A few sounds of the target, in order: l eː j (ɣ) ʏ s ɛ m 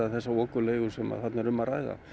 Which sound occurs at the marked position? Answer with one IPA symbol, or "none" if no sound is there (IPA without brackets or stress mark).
ɣ